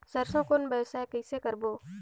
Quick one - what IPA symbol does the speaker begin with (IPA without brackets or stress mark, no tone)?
s